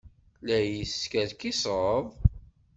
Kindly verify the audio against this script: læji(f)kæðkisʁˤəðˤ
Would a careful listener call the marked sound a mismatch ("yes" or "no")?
yes